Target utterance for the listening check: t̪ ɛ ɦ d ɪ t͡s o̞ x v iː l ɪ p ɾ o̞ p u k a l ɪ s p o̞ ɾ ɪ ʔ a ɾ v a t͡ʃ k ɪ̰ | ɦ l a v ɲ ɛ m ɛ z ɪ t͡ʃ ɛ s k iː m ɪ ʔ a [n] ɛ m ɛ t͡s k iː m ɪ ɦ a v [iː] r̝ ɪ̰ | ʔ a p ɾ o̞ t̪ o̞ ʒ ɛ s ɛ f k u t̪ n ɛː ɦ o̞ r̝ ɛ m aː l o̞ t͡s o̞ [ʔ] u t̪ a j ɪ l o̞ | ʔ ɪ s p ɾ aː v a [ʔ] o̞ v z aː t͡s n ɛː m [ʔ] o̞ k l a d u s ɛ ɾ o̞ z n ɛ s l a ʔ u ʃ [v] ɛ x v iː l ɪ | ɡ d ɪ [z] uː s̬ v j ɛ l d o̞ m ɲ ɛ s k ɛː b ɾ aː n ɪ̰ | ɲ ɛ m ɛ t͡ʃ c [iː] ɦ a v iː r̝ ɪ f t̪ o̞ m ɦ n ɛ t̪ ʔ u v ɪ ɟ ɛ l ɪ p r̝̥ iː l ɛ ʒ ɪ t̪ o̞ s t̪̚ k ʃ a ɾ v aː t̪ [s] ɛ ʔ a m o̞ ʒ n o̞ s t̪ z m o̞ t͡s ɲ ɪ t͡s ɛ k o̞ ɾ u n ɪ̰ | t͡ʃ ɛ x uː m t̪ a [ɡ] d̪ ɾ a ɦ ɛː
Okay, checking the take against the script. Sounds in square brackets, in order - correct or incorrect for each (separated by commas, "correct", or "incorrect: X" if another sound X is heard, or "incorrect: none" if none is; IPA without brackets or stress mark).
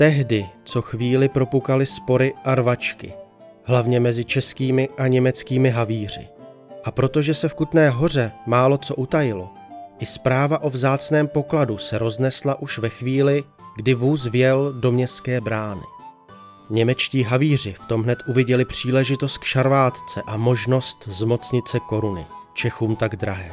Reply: incorrect: ɲ, correct, correct, correct, incorrect: p, correct, incorrect: v, correct, incorrect: t͡s, correct